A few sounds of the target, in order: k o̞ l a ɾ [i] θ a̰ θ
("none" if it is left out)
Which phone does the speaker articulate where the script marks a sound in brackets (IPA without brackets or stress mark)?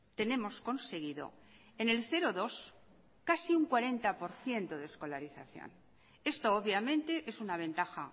i